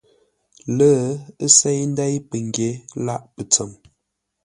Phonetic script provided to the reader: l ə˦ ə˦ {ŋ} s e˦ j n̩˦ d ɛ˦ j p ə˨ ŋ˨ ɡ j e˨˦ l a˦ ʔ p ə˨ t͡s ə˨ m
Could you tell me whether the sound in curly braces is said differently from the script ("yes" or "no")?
yes